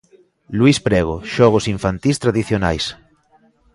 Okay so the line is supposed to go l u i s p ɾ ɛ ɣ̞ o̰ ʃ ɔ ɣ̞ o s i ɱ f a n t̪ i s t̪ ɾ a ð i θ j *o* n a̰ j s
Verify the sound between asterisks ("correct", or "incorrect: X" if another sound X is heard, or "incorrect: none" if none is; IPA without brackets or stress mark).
correct